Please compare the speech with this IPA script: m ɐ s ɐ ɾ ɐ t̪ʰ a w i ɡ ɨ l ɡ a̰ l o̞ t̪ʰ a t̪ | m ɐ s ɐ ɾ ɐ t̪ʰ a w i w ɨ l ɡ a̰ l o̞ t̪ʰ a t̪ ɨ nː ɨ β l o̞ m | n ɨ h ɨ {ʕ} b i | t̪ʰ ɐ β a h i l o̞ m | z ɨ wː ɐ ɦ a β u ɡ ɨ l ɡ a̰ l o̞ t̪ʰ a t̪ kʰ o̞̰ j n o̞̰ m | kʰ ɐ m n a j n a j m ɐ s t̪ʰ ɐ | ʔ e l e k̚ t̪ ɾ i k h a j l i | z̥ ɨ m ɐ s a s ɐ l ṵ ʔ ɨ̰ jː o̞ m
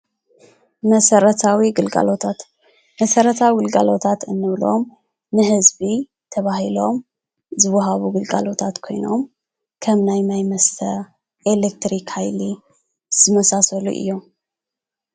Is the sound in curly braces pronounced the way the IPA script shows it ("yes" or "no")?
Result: no